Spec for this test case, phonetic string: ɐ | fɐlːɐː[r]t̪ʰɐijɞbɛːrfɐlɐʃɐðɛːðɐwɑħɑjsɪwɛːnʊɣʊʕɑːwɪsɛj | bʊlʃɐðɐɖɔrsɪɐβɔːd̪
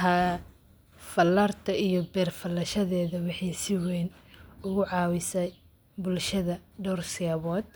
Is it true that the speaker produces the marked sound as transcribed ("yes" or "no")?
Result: yes